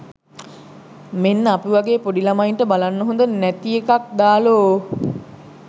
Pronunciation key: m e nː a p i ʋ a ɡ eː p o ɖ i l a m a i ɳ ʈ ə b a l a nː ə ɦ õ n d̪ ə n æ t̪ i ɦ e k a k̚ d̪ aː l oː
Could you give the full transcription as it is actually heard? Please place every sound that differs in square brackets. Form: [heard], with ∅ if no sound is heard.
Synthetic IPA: m e nː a p i ʋ a ɡ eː p o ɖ i l a m a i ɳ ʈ ə b a l a nː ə ɦ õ n d̪ ə n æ t̪ i [∅] e k a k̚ d̪ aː l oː